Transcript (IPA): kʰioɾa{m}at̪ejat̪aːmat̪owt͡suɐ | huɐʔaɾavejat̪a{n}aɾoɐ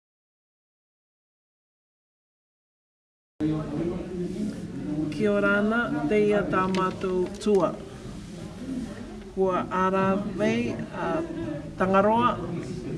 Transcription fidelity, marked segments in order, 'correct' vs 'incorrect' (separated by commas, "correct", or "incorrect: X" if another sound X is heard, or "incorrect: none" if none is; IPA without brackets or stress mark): incorrect: n, incorrect: ŋ